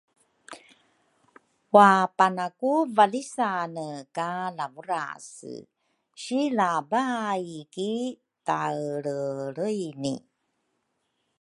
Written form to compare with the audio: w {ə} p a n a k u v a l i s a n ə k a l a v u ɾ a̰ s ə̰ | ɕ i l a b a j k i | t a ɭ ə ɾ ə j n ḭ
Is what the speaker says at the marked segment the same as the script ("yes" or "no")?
no